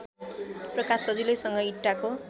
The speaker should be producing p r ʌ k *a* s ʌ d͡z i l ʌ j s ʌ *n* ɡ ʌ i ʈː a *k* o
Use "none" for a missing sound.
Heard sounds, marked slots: a, ŋ, k

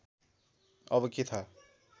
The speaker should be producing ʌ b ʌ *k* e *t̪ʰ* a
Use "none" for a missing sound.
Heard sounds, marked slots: k, t̪ʰ

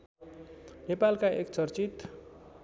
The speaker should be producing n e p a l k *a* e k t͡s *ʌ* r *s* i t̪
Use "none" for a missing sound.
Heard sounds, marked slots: a, ʌ, t͡s

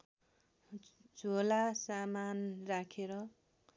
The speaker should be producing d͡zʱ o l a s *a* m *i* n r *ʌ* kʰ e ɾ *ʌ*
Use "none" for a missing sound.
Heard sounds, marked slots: a, a, a, ʌ

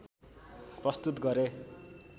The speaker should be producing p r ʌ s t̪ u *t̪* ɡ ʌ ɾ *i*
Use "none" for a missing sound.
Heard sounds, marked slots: t̪, e

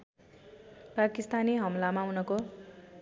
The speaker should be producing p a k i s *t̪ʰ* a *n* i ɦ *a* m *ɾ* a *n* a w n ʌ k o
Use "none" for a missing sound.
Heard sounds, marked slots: t̪, n, ʌ, l, m

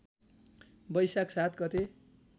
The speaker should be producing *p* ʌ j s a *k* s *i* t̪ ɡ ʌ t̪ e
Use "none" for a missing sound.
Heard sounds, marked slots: b, k, a

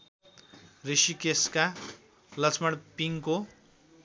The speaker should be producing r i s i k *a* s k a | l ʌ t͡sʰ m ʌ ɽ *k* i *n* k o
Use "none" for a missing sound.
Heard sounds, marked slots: e, p, ŋ

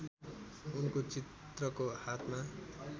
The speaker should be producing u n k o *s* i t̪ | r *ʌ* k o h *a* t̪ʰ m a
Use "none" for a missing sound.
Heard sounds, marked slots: t͡s, ʌ, a

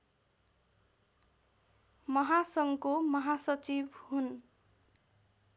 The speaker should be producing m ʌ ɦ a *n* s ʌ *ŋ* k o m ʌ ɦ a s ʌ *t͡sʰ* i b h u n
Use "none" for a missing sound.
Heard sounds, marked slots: none, ŋ, t͡s

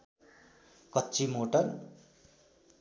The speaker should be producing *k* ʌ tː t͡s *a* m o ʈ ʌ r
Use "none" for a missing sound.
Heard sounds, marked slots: k, i

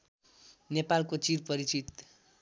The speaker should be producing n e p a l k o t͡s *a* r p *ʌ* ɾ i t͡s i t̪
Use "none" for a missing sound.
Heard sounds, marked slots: i, ʌ

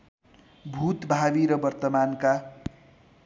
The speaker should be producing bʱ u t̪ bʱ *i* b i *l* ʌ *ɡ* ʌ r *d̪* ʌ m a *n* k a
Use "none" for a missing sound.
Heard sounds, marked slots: a, ɾ, b, t̪, n

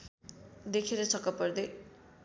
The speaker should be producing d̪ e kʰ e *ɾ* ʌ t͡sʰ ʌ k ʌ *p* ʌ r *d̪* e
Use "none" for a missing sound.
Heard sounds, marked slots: ɾ, p, d̪

